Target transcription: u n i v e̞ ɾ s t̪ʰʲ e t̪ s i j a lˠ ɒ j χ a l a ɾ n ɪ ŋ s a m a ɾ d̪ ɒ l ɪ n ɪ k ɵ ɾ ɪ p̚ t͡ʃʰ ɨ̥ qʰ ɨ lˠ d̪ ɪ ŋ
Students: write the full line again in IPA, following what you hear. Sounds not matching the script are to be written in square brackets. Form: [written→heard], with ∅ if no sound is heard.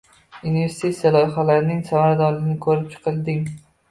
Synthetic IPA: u n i v e̞ ɾ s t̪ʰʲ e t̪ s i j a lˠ ɒ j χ a l a ɾ n ɪ ŋ s a m a ɾ d̪ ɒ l ɪ n ɪ [k→kʰ] ɵ ɾ ɪ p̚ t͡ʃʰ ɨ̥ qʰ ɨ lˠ d̪ ɪ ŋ